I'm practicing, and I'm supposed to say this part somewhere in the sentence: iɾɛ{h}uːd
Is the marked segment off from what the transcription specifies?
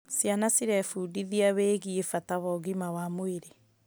yes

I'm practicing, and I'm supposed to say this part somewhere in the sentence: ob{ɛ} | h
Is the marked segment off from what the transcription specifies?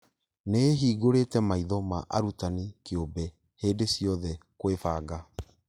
no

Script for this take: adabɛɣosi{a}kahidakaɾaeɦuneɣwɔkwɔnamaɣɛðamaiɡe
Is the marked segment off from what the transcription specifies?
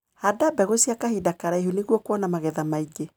no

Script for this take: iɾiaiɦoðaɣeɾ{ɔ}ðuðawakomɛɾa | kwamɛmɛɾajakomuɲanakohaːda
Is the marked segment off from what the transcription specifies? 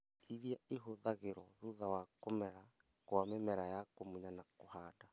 no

